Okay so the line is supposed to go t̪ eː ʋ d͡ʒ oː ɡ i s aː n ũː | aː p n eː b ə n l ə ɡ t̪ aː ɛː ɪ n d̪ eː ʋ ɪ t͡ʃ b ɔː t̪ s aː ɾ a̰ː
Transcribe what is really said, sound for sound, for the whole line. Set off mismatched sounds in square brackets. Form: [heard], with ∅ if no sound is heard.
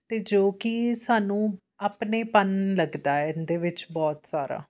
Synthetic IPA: t̪ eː [∅] d͡ʒ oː [k] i s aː n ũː | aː p n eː [p] ə n l ə ɡ [d̪] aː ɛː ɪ n d̪ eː ʋ ɪ t͡ʃ b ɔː t̪ s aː ɾ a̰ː